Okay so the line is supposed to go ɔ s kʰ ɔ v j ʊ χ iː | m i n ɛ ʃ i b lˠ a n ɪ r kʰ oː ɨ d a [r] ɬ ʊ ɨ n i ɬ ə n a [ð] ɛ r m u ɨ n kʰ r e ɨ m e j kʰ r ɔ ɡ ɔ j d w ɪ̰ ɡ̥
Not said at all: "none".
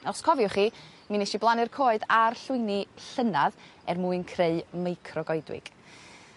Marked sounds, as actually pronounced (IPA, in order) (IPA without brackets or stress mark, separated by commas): r, ð